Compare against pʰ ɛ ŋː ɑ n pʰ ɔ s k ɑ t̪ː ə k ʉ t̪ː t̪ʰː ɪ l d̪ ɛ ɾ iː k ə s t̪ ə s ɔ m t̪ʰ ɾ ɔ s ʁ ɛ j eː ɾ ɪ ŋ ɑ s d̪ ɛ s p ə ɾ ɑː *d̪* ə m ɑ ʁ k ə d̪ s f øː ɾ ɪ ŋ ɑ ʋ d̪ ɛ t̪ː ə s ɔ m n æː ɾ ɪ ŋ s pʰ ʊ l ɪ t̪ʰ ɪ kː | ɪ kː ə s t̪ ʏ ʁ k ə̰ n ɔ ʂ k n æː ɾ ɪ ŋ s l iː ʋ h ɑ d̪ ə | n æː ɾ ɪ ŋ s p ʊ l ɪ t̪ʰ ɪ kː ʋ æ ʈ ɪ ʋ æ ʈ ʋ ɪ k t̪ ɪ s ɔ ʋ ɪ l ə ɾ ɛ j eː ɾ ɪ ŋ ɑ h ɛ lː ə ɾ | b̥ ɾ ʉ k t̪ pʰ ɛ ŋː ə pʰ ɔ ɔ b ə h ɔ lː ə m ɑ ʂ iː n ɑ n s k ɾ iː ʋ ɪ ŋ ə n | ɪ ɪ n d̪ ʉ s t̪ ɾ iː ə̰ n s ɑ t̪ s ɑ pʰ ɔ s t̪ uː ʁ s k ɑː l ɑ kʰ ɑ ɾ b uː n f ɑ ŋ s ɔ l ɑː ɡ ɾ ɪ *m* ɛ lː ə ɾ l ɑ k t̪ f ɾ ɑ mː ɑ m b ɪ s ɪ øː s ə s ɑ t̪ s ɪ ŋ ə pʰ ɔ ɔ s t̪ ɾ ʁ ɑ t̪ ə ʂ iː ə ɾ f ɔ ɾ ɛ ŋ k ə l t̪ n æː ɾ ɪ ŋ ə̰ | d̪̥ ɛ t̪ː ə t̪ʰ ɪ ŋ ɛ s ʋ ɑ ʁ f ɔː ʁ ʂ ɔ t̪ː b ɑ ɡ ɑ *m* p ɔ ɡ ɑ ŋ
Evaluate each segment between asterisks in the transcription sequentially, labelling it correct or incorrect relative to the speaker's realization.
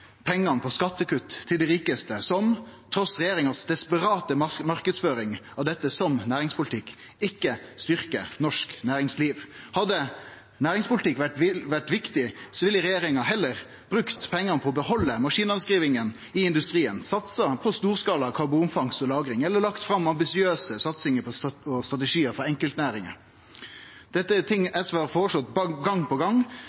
incorrect: t̪, incorrect: ŋ, incorrect: ŋ

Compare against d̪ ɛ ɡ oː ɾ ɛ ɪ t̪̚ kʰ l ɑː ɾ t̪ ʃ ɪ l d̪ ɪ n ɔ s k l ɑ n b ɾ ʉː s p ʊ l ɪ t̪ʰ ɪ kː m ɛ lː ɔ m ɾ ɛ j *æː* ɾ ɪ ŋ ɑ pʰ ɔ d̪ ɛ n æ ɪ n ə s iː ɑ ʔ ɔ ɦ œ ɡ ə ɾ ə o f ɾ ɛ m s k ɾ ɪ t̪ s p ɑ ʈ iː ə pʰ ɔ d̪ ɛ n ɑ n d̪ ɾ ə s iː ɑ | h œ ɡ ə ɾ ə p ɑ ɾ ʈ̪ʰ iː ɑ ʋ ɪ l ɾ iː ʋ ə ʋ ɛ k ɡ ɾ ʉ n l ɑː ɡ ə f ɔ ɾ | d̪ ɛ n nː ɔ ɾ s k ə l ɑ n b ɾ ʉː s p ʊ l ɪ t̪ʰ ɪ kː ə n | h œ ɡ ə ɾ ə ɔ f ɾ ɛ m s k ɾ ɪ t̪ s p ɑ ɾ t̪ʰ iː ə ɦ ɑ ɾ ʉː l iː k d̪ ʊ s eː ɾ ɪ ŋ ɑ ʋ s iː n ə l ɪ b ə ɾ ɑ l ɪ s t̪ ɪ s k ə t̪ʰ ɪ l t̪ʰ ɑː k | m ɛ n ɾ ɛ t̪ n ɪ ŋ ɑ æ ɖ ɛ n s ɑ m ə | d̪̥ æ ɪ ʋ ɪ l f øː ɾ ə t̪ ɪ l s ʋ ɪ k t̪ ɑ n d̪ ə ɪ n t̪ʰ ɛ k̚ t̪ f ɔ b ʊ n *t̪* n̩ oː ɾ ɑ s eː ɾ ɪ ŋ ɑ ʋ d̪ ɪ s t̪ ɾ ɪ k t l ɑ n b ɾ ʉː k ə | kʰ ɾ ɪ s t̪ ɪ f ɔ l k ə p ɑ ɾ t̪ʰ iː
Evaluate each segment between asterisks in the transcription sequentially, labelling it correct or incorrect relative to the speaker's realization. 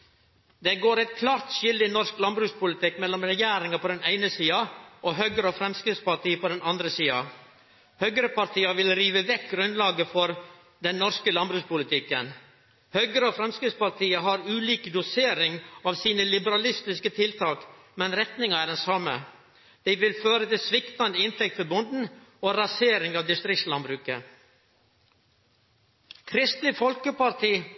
correct, incorrect: d̪

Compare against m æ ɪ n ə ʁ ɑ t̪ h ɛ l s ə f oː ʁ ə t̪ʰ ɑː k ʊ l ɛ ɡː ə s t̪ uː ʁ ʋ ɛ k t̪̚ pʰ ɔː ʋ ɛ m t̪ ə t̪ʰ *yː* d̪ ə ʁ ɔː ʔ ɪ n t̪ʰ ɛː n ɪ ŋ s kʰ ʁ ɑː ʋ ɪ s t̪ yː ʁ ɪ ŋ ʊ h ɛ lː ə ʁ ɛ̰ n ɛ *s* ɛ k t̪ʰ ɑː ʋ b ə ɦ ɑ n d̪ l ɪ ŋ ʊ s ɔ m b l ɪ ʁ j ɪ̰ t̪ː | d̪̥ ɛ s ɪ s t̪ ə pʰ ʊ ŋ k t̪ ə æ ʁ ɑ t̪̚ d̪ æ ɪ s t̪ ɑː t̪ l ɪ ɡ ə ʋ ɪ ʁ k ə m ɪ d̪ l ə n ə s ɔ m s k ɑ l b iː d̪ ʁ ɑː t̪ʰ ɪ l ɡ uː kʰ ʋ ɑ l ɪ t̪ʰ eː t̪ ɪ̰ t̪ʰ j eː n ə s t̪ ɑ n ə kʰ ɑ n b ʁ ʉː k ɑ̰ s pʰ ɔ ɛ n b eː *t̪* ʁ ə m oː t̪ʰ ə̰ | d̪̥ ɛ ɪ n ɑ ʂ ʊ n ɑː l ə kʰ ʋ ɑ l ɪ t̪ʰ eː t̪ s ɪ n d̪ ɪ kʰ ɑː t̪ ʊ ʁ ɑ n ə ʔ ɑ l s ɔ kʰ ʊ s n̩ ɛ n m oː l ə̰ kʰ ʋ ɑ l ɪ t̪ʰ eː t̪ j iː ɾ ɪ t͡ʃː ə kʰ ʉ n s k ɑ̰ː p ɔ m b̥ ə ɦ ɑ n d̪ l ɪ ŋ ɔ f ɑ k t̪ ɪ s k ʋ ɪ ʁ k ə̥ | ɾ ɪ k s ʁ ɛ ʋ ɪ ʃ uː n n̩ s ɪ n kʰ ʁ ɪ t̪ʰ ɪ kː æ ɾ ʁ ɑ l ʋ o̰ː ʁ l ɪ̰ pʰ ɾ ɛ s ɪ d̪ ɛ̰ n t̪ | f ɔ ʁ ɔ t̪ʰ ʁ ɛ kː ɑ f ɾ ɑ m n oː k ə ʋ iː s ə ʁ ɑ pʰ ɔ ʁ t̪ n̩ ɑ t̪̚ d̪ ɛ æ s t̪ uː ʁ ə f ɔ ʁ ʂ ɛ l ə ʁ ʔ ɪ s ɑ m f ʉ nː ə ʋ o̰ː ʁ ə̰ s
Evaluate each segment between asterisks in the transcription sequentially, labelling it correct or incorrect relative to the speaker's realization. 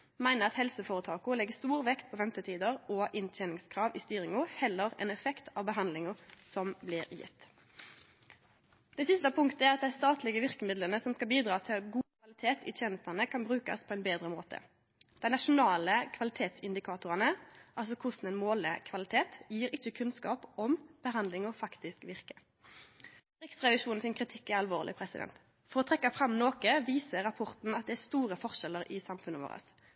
incorrect: iː, incorrect: f, incorrect: d̪

